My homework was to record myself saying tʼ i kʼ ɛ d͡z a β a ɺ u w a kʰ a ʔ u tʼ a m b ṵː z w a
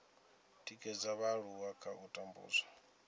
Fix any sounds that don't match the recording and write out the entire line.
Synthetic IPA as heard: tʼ i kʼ ɛ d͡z a β a ɺ u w a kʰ a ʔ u tʼ a m b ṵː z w a